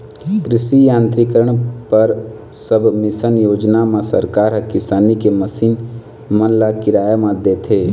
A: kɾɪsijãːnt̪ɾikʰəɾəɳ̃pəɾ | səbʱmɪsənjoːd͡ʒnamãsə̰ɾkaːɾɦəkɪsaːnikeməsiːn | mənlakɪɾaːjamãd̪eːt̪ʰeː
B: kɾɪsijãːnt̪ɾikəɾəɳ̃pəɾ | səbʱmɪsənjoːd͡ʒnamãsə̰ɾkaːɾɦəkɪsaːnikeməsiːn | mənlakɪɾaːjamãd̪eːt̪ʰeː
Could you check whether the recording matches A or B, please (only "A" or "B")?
B